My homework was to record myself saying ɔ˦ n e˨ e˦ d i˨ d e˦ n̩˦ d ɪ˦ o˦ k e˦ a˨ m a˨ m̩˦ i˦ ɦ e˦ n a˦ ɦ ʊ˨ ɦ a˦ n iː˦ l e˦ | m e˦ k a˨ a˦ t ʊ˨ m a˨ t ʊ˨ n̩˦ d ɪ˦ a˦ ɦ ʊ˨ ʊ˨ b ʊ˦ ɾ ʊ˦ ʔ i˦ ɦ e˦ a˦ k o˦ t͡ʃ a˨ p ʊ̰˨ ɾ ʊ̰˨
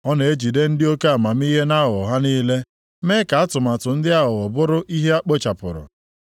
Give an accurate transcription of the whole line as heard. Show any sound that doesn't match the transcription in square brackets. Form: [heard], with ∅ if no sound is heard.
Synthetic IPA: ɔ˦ n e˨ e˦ [d͡ʒ] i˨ d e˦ n̩˦ d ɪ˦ o˦ k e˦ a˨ m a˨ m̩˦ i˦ ɦ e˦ n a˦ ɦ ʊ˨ ɦ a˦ n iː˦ l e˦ | m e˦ k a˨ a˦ t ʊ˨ m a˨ t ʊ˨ n̩˦ d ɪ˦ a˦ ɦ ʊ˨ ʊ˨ b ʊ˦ ɾ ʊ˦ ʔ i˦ ɦ e˦ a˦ [k͡p] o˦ t͡ʃ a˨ p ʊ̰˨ ɾ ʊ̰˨